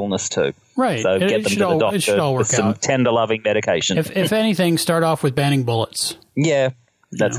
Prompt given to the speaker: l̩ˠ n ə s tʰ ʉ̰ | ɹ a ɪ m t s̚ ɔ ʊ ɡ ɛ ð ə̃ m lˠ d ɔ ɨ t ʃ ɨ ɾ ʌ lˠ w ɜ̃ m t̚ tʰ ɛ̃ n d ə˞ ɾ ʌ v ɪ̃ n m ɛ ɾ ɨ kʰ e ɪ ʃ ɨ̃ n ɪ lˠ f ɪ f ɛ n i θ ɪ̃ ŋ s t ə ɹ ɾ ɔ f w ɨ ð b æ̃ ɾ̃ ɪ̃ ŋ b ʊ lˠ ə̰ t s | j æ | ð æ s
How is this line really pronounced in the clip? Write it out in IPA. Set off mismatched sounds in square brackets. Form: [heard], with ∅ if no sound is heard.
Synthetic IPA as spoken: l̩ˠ n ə s tʰ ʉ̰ | ɹ a ɪ [∅] t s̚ [o] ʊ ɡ ɛ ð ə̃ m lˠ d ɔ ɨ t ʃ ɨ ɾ [ɔ] lˠ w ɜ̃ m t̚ tʰ ɛ̃ n d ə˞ [l] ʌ v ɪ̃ [ŋ] m ɛ ɾ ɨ kʰ e ɪ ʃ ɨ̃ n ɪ [∅] f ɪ f ɛ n i θ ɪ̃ ŋ s t [ɑ] ɹ ɾ ɔ f w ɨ ð b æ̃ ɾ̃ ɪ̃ ŋ b ʊ lˠ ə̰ t s | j æ | ð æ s